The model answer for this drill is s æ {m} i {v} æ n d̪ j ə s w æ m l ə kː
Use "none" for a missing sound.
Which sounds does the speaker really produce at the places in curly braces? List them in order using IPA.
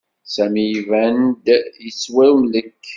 m, v

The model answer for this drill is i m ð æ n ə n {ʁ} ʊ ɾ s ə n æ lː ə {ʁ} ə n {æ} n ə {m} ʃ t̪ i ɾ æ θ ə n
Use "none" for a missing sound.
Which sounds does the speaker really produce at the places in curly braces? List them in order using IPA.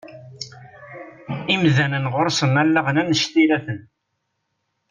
ʁ, ʁ, æ, none

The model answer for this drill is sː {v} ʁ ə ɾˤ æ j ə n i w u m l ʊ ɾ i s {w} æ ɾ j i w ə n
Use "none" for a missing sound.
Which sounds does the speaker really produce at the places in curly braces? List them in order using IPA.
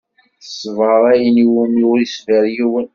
v, v

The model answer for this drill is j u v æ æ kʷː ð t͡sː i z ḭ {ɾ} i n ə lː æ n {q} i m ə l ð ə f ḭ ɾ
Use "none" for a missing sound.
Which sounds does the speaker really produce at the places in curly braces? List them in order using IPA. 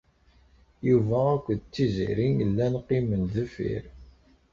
ɾ, q

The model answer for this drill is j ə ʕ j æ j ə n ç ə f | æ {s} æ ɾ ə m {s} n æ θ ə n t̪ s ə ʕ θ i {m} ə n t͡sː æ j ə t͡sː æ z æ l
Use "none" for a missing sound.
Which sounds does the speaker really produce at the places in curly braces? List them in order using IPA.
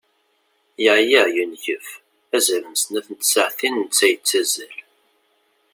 z, s, n

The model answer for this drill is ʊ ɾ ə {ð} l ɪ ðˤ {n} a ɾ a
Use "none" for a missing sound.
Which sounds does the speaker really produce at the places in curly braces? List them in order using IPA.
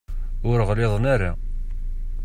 ʁ, n

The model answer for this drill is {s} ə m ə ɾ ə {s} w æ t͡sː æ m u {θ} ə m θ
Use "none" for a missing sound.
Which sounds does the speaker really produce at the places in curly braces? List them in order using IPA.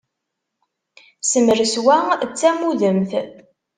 s, s, ð

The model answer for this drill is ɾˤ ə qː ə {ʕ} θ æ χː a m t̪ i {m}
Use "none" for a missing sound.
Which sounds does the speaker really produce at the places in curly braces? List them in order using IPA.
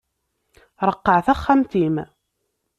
ʕ, m

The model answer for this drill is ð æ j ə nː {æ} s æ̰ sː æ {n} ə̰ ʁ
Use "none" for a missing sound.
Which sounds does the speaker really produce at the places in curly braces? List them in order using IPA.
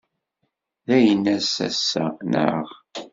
æ, n

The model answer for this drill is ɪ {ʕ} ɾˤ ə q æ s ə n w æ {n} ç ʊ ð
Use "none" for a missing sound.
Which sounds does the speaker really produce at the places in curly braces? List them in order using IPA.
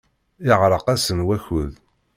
ʁ, none

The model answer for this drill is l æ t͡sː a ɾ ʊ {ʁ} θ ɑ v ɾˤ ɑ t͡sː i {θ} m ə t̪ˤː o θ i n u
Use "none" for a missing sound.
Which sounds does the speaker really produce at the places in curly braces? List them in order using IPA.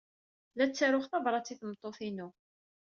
χ, θ

